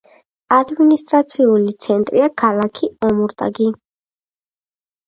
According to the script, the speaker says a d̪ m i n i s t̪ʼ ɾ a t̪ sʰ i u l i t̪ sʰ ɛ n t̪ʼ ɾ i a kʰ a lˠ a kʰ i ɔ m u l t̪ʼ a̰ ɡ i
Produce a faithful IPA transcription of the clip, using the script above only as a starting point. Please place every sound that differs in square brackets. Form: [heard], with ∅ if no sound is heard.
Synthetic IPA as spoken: a d̪ m i n i s t̪ʼ ɾ a t̪ sʰ i u l i t̪ sʰ ɛ n t̪ʼ ɾ i a kʰ a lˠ a kʰ i ɔ m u [ɾ] t̪ʼ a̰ ɡ i

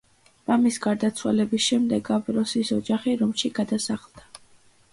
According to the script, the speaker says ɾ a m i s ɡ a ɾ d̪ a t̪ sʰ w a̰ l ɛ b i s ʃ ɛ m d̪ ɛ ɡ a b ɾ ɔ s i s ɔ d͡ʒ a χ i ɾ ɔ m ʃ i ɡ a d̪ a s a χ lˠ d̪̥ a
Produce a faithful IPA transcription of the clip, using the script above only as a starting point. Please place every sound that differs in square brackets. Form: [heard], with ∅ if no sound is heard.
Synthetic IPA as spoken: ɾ a m i s ɡ a ɾ d̪ a t̪ sʰ w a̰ l ɛ b i s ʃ ɛ m d̪ ɛ ɡ a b ɾ ɔ s i s ɔ d͡ʒ a χ i ɾ ɔ m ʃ i ɡ a d̪ a s a χ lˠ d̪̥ a

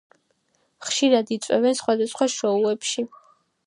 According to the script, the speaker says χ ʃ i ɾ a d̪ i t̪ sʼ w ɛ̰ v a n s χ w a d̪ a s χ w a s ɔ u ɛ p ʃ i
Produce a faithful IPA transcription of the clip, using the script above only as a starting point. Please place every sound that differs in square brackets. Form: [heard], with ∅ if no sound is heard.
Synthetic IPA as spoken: χ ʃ i ɾ a d̪ i t̪ sʼ w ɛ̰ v [ɛ] n s χ w a d̪ a s χ w a [ʃ] ɔ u ɛ p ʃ i

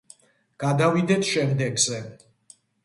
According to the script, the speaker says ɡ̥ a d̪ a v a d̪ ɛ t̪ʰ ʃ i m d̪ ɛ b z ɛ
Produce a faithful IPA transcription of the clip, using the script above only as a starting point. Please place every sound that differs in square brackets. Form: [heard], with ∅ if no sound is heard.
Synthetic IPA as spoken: ɡ̥ a d̪ a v [i] d̪ ɛ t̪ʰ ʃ [ɛ] m d̪ ɛ [ɡ] z ɛ

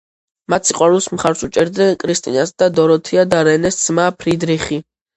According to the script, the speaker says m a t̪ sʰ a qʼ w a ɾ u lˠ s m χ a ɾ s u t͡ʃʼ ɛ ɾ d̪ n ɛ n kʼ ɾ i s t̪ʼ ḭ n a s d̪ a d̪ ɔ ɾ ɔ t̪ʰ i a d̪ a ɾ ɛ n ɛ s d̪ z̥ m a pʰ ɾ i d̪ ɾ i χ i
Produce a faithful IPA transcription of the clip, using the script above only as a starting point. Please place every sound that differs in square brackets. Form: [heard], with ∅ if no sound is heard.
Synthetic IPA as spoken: m a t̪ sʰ [i] qʼ w a ɾ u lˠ s m χ a ɾ s u t͡ʃʼ ɛ ɾ d̪ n ɛ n kʼ ɾ i s t̪ʼ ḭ n a s d̪ a d̪ ɔ ɾ ɔ t̪ʰ i a d̪ a ɾ ɛ n ɛ s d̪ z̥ m a pʰ ɾ i d̪ ɾ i χ i

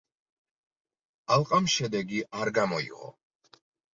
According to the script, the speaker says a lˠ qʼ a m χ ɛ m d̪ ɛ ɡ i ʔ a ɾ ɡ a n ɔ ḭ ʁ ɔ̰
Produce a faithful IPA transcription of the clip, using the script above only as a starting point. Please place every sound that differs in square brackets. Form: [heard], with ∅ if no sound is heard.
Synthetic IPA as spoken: a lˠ qʼ a m [ʃ] ɛ [∅] d̪ ɛ ɡ i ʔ a ɾ ɡ a [m] ɔ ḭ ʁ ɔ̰

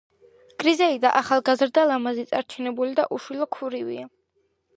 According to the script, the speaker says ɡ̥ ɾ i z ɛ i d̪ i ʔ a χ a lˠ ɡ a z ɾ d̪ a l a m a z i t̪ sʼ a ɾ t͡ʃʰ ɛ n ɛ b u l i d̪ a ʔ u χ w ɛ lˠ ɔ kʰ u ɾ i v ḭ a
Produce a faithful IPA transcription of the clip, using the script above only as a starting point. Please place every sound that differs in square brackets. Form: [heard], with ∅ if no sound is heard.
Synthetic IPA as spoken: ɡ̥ ɾ i z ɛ i d̪ [a] ʔ a χ a lˠ ɡ a z ɾ d̪ a l a m a z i t̪ sʼ a ɾ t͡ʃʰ ɛ n ɛ b u l i d̪ a ʔ u [ʃ] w [i] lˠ ɔ kʰ u ɾ i v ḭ a

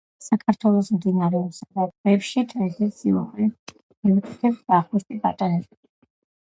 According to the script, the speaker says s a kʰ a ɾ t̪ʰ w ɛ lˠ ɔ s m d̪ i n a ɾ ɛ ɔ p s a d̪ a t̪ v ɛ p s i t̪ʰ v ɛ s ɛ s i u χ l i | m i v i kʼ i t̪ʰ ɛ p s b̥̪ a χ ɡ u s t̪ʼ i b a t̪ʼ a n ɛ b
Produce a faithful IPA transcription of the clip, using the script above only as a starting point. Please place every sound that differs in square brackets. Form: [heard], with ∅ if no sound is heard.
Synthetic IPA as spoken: s a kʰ a ɾ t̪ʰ w ɛ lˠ ɔ s m d̪ i n a ɾ ɛ ɔ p s a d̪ a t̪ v ɛ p [ʃ] i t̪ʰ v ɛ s ɛ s i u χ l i | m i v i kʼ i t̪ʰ ɛ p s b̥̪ a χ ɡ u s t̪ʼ i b a t̪ʼ a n ɛ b

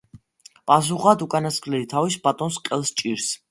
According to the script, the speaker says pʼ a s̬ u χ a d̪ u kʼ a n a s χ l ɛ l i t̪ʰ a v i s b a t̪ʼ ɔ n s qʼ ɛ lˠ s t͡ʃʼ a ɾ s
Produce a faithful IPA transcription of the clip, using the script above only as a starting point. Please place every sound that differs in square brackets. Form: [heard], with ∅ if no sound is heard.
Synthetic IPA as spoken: pʼ a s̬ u χ a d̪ u kʼ a n a s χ l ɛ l i t̪ʰ a v i s b a t̪ʼ ɔ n s qʼ ɛ lˠ s t͡ʃʼ [i] ɾ s

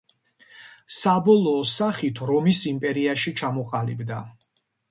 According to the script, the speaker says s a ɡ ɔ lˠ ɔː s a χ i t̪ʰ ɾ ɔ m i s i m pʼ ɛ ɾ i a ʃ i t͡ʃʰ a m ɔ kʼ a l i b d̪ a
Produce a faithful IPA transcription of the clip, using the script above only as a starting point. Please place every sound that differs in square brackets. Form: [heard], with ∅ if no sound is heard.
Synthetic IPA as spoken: s a [b] ɔ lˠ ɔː s a χ i t̪ʰ ɾ ɔ m i s i m pʼ ɛ ɾ i a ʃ i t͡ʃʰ a m ɔ [qʼ] a l i b d̪ a

